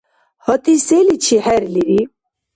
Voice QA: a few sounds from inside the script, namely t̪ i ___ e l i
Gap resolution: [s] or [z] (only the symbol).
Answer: s